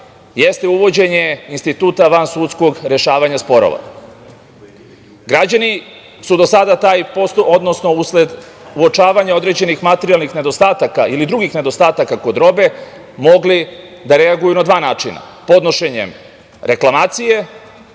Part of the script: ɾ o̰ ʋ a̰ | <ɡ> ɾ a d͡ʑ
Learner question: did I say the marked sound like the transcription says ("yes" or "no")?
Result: yes